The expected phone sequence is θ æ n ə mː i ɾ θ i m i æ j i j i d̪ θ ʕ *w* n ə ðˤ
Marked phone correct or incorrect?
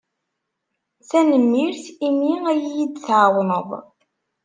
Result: correct